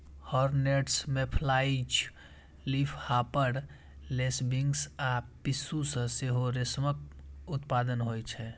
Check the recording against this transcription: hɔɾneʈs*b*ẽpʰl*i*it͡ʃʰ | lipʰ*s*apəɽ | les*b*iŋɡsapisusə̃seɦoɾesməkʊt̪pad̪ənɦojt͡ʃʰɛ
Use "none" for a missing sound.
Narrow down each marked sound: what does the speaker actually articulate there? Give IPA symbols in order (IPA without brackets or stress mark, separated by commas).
m, a, h, b